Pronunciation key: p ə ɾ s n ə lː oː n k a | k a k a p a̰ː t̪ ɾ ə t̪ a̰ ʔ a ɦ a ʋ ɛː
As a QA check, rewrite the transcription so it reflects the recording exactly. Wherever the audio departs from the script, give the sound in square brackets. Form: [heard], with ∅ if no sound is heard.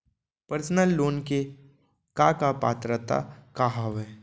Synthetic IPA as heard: p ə ɾ s n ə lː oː n k [e] | k a k a p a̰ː t̪ ɾ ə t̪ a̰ [k] a ɦ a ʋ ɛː